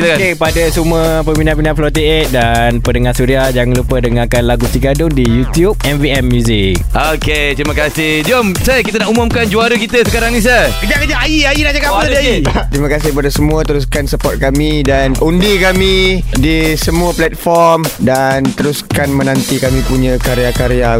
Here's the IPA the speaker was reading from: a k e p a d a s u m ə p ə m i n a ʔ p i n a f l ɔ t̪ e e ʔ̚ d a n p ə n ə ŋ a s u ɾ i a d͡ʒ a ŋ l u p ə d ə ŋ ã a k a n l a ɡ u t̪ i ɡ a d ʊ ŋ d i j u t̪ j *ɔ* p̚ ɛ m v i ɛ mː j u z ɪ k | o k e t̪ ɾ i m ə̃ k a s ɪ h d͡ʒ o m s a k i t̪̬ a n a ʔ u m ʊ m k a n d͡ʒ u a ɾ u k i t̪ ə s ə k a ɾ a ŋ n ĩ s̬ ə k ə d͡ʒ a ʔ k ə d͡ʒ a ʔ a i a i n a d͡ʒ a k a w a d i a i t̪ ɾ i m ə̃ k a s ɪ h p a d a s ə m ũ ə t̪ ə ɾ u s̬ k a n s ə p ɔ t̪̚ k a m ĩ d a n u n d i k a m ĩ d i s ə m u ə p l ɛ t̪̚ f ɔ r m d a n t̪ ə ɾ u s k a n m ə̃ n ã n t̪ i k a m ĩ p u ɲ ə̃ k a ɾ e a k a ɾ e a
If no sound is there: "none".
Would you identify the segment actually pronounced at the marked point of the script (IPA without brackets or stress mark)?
u